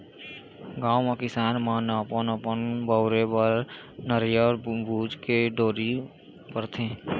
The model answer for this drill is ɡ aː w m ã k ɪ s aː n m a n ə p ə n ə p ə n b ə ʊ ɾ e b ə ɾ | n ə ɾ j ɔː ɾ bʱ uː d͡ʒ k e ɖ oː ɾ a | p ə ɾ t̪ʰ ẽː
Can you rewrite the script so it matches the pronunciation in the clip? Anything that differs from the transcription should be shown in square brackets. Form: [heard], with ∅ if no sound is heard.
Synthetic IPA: ɡ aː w m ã k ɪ s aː n m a n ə p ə n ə p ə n b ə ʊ ɾ e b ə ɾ | n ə ɾ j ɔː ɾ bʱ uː d͡ʒ k e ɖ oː ɾ [i] | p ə ɾ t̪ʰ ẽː

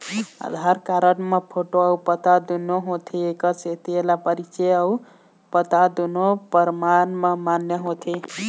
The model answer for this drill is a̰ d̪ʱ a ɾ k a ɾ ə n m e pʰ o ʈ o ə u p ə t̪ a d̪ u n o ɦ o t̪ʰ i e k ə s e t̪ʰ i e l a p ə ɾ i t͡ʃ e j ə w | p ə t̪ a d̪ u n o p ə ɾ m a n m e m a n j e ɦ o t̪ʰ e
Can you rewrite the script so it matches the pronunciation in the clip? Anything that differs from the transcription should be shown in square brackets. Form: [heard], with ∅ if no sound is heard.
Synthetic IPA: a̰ d̪ʱ a ɾ k a ɾ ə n m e pʰ o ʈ o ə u p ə t̪ a d̪ u n o ɦ o t̪ʰ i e k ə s e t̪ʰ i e l a p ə ɾ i t͡ʃ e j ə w | p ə t̪ a d̪ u n o p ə ɾ m a n m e m a n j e ɦ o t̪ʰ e

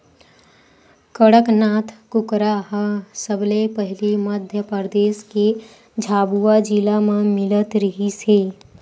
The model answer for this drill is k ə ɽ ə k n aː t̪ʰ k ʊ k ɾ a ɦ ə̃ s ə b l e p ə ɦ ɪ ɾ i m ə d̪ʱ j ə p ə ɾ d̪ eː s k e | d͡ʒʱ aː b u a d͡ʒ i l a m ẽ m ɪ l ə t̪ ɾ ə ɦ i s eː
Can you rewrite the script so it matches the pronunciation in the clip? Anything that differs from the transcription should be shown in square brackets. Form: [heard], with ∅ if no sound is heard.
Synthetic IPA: k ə ɽ ə k n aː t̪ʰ k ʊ k ɾ a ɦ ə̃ s ə b l e p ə ɦ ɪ [l] i m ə d̪ʱ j ə p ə ɾ d̪ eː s k e | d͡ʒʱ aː b u a d͡ʒ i l a m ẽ m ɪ l ə t̪ ɾ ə ɦ i s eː

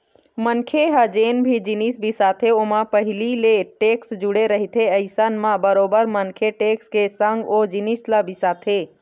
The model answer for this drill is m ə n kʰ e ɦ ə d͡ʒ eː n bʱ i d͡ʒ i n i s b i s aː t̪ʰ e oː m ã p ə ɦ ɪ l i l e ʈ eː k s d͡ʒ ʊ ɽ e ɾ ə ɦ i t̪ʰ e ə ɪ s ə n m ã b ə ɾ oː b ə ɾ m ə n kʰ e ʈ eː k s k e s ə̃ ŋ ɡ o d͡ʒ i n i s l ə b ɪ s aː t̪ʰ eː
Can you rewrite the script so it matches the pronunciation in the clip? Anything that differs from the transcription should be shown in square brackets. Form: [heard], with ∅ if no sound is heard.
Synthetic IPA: m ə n kʰ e ɦ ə d͡ʒ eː n bʱ i d͡ʒ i n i s b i s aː t̪ʰ e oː m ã p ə ɦ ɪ l i l e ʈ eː k s d͡ʒ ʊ ɽ e ɾ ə ɦ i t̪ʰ e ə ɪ s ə n m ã b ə ɾ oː b ə ɾ m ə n kʰ e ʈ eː k s k e s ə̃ ŋ ɡ o d͡ʒ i n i s l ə b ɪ s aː t̪ʰ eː

